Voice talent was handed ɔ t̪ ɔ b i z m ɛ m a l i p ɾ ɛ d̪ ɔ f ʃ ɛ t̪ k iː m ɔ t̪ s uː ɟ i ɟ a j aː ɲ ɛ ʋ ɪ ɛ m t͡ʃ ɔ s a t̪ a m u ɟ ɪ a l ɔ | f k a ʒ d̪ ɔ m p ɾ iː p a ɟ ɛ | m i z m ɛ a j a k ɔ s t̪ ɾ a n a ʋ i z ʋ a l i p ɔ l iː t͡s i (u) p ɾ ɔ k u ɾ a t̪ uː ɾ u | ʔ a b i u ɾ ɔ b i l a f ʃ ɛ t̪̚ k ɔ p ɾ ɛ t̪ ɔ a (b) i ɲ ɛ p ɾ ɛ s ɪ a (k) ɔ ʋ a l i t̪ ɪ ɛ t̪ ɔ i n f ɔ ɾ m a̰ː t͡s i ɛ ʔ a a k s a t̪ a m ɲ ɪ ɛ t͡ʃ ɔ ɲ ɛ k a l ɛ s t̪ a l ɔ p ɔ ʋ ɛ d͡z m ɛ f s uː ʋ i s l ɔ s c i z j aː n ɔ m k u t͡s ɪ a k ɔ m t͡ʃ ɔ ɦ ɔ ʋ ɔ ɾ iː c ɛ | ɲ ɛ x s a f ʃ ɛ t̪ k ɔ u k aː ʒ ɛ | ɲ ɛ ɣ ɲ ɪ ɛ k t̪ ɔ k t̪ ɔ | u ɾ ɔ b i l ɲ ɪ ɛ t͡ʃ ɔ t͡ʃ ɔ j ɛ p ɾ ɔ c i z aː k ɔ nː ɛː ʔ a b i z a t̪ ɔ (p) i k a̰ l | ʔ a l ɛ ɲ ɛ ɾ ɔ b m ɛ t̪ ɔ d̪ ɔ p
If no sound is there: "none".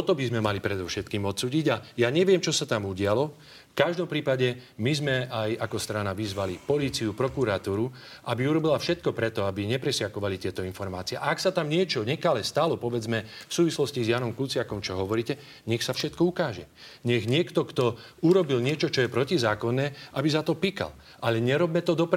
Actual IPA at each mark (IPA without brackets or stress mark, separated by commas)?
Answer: u, b, k, p